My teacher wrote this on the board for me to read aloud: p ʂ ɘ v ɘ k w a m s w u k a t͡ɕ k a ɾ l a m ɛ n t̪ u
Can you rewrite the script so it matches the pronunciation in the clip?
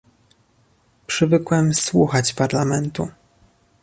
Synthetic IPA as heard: p ʂ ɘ v ɘ k w ɛ m s w u x a t͡ɕ p a ɾ l a m ɛ n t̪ u